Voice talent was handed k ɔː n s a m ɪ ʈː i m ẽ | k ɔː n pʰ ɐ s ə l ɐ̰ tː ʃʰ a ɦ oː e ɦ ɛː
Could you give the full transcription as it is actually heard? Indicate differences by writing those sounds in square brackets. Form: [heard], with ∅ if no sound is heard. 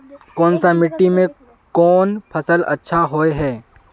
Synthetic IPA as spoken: k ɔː n s a m ɪ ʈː i m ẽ | k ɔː n pʰ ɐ s ə l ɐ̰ tː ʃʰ a ɦ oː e ɦ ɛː